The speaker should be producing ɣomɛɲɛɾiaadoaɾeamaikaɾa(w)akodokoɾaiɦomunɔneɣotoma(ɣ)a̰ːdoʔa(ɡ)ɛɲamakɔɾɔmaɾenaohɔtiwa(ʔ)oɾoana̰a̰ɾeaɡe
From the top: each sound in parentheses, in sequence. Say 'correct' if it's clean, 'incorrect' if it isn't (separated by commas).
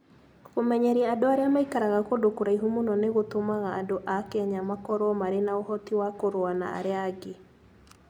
incorrect, correct, incorrect, incorrect